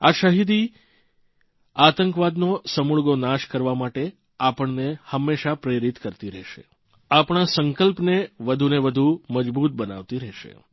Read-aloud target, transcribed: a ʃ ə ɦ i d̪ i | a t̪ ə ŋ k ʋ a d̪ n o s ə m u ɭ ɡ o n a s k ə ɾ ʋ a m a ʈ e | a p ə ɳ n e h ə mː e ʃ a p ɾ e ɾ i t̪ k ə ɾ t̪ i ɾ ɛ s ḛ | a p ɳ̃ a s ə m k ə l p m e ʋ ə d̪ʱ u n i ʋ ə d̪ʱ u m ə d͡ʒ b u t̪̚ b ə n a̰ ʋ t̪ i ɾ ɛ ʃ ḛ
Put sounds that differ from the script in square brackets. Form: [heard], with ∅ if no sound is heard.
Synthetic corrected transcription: a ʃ ə ɦ i d̪ i | a t̪ ə ŋ k ʋ a d̪ n o s ə m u ɭ ɡ o n a [ʃ] k ə ɾ ʋ a m a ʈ e | a p ə ɳ n e h ə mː e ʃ a p ɾ e ɾ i t̪ k ə ɾ t̪ i ɾ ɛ [ʃ] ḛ | a p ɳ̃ a s ə [ŋ] k ə l p [n] e ʋ ə d̪ʱ u n [e] ʋ ə d̪ʱ u m ə d͡ʒ b u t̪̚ b ə n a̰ ʋ t̪ i ɾ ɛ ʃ ḛ